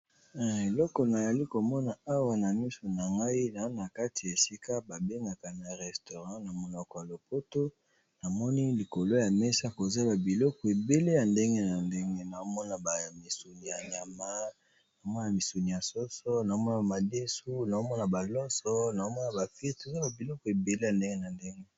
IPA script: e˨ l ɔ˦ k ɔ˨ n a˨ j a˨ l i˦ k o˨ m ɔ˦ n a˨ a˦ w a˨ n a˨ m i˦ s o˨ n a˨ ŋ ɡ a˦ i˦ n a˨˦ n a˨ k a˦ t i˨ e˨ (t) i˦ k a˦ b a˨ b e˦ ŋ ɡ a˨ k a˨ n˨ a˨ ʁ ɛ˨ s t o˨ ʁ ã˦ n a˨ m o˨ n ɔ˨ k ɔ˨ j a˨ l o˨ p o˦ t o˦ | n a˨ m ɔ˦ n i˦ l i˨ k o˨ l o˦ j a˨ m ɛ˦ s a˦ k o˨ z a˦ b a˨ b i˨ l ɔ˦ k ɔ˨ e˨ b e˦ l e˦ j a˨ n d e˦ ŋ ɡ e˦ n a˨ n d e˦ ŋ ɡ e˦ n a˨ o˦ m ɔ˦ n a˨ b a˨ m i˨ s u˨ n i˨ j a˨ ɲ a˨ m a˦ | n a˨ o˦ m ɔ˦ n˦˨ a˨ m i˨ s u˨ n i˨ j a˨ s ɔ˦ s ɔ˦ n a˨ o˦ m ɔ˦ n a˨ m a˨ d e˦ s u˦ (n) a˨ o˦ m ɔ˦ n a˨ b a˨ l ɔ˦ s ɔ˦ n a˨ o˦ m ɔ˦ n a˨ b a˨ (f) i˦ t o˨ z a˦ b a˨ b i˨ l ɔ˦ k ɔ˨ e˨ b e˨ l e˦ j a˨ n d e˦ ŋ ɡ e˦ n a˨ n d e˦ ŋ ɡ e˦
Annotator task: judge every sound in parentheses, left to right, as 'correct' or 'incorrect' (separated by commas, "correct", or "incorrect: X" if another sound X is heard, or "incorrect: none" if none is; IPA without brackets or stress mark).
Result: incorrect: s, correct, correct